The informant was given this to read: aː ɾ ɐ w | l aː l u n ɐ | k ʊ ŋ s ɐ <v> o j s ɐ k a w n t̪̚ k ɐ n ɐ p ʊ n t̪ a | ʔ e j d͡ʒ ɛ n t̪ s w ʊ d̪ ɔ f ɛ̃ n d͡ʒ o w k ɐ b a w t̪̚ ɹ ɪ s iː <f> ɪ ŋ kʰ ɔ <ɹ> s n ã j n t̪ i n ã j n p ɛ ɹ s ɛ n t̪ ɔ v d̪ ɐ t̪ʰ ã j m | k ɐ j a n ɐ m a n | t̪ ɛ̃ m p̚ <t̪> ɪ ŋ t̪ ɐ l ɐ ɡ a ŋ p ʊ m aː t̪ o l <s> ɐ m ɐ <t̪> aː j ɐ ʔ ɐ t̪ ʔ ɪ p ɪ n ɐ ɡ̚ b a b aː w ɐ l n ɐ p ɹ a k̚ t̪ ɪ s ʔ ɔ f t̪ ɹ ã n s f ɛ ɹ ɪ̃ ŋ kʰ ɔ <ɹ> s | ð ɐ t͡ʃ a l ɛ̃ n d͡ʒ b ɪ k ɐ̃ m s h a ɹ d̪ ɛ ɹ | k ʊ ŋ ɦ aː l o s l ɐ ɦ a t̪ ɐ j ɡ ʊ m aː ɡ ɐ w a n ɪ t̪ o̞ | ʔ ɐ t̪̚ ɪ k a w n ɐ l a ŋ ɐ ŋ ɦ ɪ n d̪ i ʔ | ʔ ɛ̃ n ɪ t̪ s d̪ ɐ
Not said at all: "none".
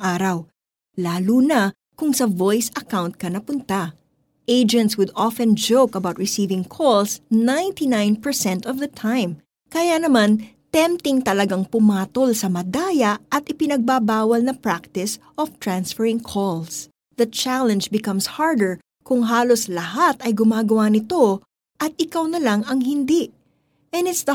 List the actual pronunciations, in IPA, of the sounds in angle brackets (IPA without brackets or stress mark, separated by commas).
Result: v, v, l, t̪, s, d̪, l